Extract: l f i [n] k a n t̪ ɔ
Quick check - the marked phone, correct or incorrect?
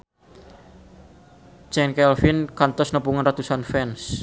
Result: correct